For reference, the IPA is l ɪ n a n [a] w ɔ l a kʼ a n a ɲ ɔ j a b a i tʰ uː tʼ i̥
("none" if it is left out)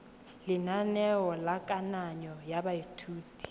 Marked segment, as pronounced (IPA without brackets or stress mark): ɛ